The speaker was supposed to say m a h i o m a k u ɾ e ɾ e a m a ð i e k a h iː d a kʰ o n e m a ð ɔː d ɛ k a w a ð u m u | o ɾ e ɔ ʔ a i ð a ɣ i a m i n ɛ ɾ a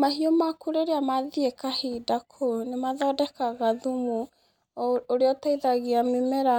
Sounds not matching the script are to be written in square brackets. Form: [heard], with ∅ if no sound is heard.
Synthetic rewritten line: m a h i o m a k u ɾ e ɾ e a m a ð i e k a h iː d a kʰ o n e m a ð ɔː d ɛ k a [ɣ] a ð u m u | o ɾ e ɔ [t] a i ð a ɣ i a m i [m] ɛ ɾ a